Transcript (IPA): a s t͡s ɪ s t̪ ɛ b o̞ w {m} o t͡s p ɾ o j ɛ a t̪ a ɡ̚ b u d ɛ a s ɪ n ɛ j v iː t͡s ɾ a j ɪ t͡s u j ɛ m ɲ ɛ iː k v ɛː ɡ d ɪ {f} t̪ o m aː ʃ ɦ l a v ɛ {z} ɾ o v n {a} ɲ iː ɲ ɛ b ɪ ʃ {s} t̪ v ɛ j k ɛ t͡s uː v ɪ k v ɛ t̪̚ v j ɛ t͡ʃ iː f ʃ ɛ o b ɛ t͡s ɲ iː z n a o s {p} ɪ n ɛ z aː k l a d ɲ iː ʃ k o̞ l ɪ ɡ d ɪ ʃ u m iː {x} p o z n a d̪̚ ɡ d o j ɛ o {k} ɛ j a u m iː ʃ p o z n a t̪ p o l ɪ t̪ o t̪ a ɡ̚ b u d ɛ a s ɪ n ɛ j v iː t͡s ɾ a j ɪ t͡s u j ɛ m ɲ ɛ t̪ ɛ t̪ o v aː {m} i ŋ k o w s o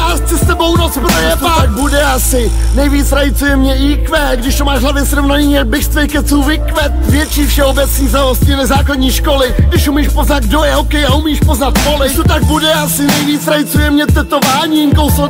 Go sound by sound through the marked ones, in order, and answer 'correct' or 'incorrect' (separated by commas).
incorrect, incorrect, incorrect, correct, correct, incorrect, incorrect, correct, incorrect